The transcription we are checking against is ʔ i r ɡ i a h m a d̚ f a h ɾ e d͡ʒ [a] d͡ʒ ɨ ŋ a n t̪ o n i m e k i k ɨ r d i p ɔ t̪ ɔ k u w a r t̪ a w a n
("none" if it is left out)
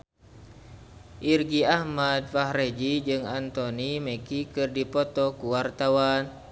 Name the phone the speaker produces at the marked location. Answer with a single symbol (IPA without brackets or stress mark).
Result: i